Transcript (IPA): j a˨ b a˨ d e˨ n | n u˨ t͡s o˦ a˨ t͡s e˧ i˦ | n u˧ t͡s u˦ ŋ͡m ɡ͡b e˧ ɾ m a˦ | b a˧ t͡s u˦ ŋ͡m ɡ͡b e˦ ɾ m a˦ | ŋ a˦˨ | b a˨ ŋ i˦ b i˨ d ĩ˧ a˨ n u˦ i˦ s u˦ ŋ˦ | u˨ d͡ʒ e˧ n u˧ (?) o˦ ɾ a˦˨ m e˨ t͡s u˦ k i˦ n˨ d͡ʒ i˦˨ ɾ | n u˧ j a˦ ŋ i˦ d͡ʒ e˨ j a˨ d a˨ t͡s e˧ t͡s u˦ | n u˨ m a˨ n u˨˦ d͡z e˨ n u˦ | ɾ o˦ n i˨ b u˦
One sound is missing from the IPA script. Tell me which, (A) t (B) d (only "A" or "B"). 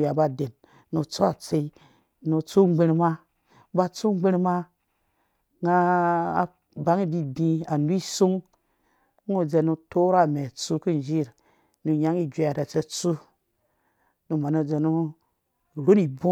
A